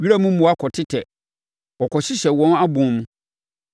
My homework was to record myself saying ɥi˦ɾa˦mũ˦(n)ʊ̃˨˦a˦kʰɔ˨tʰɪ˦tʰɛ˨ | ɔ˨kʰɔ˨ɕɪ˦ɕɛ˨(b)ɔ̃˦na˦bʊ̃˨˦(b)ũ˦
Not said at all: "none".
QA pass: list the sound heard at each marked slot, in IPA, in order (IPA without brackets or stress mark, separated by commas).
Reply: m, w, m